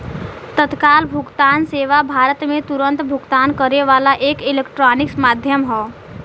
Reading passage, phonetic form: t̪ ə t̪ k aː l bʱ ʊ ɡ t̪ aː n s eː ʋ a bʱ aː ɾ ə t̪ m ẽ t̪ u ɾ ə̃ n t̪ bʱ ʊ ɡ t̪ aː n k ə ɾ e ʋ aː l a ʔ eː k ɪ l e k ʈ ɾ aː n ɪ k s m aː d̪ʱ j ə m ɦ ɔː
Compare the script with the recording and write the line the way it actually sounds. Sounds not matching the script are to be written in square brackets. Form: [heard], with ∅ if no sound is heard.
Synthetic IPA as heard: t̪ ə t̪ k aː l bʱ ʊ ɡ t̪ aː n s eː ʋ a bʱ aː ɾ ə t̪ m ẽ t̪ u ɾ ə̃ n t̪ bʱ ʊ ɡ t̪ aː n k ə ɾ e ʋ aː l a ʔ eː k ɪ l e k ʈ ɾ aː n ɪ k s m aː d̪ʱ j ə m ɦ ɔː